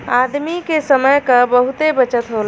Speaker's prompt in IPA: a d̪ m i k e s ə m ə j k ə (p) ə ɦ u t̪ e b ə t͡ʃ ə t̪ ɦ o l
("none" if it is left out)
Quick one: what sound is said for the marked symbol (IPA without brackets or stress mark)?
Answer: b